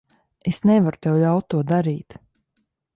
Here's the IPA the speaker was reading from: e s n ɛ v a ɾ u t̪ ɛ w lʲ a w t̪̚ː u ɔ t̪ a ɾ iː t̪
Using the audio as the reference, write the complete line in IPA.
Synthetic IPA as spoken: e s n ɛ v a ɾ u t̪ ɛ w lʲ a w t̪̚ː u ɔ d̪ a ɾ iː t̪

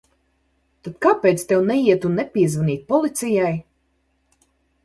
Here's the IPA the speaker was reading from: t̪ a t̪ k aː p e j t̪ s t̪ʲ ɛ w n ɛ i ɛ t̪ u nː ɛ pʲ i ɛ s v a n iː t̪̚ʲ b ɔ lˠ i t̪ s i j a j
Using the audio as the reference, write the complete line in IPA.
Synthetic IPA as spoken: t̪ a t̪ k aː p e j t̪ s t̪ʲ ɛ w n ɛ i ɛ t̪ u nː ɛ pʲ i ɛ z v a n iː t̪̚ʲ p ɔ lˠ i t̪ s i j a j

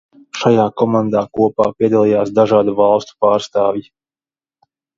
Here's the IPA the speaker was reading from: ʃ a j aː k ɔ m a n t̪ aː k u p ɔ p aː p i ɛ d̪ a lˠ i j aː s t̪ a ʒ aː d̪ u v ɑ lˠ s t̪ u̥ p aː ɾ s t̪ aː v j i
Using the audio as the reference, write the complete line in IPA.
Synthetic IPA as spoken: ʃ a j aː k ɔ m a n d̪ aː k u ɔ p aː p i ɛ d̪ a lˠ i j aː s d̪ a ʒ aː d̪ u v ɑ lˠ s t̪ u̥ p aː ɾ s t̪ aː v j i

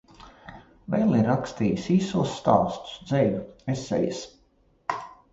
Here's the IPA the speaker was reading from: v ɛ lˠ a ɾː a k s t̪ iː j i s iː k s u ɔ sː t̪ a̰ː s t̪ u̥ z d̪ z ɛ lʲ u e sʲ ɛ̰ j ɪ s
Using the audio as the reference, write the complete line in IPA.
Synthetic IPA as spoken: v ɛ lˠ i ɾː a k s t̪ iː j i s iː s u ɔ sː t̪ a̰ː s t̪ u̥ s d̪ z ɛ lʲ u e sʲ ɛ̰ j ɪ s

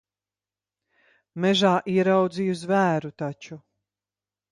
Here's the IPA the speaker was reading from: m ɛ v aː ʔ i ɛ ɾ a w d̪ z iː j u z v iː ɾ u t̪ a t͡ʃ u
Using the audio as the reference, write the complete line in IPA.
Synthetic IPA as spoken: m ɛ ʒ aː ʔ i ɛ ɾ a w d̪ z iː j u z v æː ɾ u t̪ a t͡ʃ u

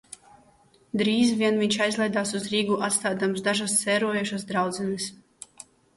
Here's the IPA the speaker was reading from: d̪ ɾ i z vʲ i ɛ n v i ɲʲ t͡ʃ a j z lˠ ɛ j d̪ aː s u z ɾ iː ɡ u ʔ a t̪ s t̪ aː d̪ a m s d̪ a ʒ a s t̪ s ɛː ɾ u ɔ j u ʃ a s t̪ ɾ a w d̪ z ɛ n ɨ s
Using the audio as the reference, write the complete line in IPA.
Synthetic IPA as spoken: d̪ ɾ iː z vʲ i ɛ n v i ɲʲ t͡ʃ a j z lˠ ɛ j d̪ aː s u z ɾ iː ɡ u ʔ a t̪ s t̪ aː d̪ a m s d̪ a ʒ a s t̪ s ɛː ɾ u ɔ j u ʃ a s d̪ ɾ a w d̪ z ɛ n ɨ s

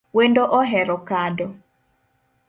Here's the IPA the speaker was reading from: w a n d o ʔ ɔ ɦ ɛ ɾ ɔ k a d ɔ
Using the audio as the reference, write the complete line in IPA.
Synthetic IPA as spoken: w e n d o ʔ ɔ ɦ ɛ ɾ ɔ k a d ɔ

